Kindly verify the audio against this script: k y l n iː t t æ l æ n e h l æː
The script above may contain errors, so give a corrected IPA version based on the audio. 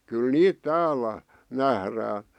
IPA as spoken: k y l n iː t t æː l æ n æ h r æː